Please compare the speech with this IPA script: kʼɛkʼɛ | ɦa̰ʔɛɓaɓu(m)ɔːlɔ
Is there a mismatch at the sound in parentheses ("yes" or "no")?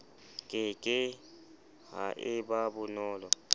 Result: yes